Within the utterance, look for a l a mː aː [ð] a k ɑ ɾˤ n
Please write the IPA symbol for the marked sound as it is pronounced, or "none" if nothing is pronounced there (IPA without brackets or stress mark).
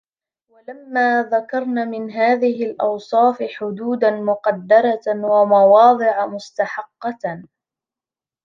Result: ð